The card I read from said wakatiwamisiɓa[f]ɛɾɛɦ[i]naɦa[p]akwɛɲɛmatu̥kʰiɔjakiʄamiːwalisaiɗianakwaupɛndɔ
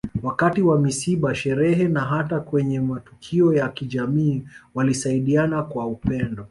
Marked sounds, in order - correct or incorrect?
incorrect: ʃ, incorrect: ɛ, incorrect: t

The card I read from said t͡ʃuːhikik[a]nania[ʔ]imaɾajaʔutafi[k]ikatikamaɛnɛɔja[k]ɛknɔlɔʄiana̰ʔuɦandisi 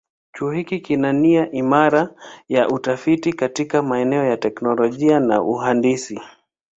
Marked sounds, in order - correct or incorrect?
incorrect: i, correct, incorrect: t, incorrect: t

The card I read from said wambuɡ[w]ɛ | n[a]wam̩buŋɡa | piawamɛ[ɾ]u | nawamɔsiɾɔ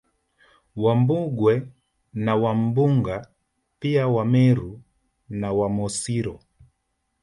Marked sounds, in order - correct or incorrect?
correct, correct, correct

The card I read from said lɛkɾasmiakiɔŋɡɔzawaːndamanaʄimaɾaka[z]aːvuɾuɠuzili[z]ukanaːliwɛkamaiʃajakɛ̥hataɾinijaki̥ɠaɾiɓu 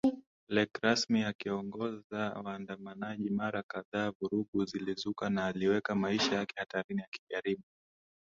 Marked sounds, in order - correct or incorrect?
incorrect: ð, correct

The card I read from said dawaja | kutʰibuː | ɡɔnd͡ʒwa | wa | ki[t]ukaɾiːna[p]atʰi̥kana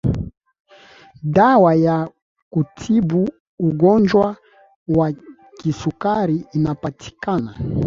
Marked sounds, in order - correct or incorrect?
incorrect: s, correct

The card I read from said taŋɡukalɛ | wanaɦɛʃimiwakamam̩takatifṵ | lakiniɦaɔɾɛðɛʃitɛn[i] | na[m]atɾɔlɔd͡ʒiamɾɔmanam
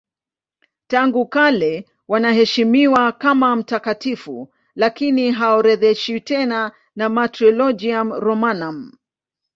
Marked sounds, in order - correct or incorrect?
incorrect: a, correct

